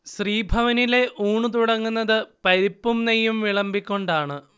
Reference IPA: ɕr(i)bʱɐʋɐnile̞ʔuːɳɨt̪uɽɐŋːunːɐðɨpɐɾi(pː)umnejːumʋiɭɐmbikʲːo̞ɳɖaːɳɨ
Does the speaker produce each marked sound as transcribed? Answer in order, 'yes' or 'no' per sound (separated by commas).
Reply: no, yes